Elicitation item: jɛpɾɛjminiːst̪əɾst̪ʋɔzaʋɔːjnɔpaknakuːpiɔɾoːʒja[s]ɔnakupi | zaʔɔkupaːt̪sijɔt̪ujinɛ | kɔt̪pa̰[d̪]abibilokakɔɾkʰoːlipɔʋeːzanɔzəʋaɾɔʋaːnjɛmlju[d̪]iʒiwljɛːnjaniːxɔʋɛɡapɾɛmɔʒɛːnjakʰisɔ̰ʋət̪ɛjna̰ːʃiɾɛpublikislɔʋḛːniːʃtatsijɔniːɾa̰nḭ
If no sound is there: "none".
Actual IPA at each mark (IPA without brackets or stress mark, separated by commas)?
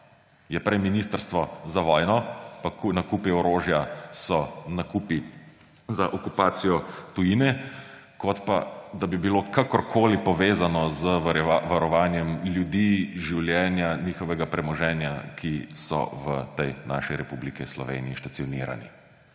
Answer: s, d̪, d̪